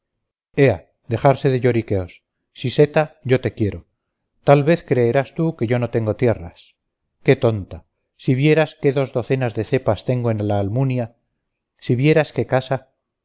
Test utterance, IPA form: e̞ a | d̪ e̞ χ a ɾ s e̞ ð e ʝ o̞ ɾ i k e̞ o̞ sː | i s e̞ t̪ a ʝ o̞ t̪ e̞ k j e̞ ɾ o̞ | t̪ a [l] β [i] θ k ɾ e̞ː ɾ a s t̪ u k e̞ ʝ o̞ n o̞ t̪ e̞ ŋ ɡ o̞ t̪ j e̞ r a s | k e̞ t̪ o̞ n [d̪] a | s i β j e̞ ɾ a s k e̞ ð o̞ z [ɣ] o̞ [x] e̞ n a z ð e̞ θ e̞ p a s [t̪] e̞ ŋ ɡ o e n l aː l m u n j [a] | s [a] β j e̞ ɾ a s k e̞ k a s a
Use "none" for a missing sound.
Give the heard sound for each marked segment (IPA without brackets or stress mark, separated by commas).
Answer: l, e, t̪, ð, θ, t̪, a, i